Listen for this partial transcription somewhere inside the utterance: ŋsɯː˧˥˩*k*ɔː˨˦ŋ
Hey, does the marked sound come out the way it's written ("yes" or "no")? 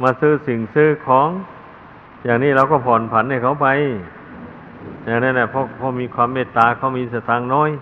no